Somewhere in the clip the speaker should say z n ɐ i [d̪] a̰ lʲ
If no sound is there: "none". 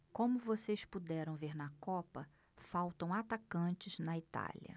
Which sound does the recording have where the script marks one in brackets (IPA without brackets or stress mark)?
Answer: t̪